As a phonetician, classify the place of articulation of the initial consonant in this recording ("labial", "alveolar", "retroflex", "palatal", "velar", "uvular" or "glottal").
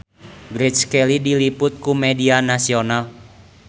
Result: velar